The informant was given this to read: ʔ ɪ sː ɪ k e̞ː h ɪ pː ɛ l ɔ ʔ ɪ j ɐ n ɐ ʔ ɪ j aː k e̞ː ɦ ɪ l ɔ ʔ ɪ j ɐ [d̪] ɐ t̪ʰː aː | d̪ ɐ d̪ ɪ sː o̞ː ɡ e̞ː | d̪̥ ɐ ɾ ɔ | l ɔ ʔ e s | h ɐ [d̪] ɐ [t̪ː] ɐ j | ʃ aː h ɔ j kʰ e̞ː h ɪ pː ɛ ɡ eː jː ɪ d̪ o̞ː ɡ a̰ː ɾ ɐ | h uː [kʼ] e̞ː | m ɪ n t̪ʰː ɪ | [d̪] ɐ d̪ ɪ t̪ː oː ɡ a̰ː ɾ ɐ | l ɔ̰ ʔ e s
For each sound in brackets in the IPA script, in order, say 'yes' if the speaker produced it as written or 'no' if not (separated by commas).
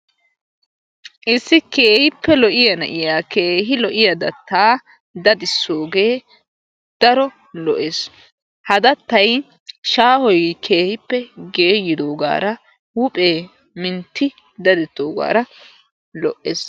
yes, yes, yes, no, yes